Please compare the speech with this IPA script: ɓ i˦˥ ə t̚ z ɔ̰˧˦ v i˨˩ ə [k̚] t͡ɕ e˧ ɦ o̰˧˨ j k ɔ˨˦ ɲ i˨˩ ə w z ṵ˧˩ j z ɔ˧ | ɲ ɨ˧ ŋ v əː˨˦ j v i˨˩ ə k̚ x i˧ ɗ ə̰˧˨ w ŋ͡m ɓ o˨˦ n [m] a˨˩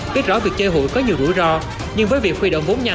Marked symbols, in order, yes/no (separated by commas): yes, no